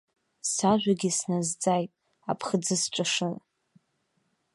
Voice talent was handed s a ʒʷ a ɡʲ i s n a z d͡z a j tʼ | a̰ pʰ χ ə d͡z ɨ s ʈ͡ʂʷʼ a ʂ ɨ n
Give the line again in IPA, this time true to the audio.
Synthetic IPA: s a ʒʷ a ɡʲ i s n a z d͡z a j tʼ | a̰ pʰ χ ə d͡z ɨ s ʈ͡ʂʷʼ a ʂ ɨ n

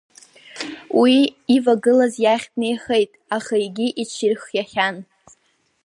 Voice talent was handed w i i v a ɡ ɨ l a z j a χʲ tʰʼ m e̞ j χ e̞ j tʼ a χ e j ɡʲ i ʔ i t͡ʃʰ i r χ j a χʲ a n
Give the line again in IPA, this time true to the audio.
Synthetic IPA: w i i v a ɡ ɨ l a z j a χʲ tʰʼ n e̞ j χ e̞ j tʼ a χ a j ɡʲ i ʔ i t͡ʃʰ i r χ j a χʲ a n

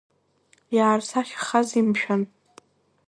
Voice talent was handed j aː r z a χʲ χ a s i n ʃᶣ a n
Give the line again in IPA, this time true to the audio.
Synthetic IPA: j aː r s a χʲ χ a z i m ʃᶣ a n

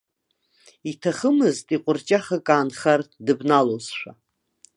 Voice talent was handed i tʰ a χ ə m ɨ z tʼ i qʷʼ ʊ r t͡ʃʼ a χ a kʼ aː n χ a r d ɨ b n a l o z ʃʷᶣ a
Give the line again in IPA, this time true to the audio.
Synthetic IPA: i tʰ a χ ə m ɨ z tʼ i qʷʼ ʊ r t͡ʃʼ a χ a kʼ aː n χ a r d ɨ b n a l o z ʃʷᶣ a

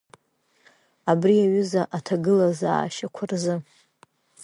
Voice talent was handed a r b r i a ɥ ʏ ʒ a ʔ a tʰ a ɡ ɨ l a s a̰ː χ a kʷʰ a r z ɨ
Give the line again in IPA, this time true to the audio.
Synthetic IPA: a b r i a ɥ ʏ z a ʔ a tʰ a ɡ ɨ l a z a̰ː ʃ a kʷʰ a r z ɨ

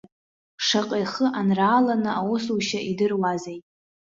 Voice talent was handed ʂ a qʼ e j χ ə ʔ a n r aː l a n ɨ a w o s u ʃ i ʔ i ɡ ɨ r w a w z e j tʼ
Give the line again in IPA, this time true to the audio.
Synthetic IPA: ʂ a qʼ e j χ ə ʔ a n r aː l a n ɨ a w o s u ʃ a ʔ i d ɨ r w a z e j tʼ

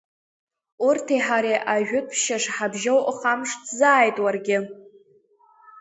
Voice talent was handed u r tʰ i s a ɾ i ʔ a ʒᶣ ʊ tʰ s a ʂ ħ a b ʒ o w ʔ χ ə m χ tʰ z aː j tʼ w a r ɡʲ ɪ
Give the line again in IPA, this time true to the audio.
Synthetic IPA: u r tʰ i ħ a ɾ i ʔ a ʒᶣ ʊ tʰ ʃ a ʂ ħ a b ʒ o w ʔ χ a m ʂ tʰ z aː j tʼ w a r ɡʲ ɪ

